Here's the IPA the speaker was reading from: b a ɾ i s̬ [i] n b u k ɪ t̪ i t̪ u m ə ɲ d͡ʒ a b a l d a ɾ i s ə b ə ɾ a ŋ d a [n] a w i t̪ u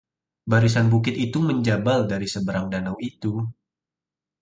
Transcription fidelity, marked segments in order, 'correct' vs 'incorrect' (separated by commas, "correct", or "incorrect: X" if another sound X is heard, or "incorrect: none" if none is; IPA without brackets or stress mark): incorrect: a, correct